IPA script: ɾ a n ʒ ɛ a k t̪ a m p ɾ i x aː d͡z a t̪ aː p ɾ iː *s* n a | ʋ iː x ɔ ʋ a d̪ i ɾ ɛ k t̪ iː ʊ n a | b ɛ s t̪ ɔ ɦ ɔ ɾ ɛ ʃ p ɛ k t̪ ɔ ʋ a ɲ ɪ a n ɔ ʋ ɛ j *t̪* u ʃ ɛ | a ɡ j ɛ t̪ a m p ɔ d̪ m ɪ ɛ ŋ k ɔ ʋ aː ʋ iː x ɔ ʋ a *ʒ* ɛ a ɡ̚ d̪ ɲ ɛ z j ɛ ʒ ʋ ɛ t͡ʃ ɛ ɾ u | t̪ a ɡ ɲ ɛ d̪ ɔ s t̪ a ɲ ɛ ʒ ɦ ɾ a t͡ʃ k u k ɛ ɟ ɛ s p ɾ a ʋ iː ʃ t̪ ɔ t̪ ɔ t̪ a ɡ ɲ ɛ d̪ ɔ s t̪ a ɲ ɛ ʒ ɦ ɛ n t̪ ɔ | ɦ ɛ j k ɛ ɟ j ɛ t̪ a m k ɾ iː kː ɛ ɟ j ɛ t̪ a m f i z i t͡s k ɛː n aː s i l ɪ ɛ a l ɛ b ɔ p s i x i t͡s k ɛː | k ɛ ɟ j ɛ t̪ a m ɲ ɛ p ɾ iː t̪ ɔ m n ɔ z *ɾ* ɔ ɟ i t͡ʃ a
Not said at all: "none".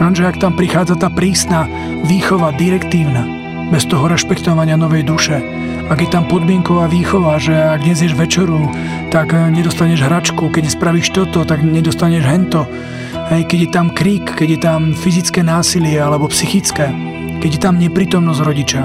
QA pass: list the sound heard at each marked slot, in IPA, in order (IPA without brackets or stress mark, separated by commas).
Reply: s, d̪, ʒ, ɾ